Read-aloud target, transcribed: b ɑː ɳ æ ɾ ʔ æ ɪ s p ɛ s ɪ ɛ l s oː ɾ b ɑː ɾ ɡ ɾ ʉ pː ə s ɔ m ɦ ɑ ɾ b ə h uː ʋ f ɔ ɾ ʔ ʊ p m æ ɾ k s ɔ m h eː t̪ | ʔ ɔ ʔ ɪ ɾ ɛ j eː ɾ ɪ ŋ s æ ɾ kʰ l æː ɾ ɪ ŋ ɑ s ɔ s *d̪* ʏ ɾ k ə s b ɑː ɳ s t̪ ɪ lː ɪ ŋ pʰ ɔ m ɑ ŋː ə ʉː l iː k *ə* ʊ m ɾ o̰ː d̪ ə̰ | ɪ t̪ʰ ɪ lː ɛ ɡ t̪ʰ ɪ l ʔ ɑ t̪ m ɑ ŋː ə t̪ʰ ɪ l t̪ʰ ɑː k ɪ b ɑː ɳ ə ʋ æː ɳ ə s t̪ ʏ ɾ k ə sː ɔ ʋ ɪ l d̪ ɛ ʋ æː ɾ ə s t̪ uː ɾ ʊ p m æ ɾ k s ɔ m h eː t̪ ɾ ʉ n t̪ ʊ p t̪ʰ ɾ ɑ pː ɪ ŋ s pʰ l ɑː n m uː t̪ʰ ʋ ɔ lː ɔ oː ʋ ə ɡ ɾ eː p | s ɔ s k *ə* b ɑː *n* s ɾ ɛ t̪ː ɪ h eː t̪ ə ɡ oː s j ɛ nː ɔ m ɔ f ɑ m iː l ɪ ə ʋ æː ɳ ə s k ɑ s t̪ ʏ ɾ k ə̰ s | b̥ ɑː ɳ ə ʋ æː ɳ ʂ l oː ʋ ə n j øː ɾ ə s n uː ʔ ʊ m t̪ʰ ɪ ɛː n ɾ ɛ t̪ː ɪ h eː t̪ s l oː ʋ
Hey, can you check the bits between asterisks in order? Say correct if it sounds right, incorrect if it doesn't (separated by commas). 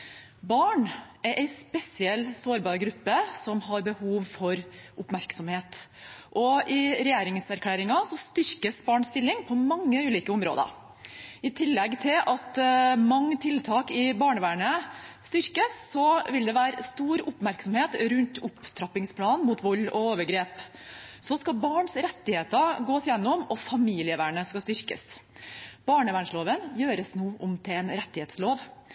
incorrect, correct, incorrect, incorrect